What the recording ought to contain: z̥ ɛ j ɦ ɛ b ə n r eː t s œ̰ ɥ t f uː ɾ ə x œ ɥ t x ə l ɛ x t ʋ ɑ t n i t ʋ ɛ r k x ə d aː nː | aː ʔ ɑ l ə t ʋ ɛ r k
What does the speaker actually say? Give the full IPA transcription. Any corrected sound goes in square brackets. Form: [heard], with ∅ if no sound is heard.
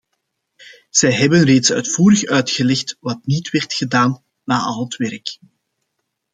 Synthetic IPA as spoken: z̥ ɛ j ɦ ɛ b ə n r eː t s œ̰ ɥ t f uː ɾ ə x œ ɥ t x ə l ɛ x t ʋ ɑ t n i t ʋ ɛ r [t] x ə d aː nː | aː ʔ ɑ l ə t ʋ ɛ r k